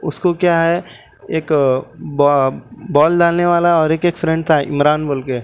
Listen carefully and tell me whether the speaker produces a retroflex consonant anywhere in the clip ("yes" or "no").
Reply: yes